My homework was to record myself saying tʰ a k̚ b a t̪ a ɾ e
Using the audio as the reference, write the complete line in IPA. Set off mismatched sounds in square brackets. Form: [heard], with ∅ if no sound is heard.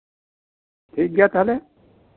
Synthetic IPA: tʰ [i] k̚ [ɡ] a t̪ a [l] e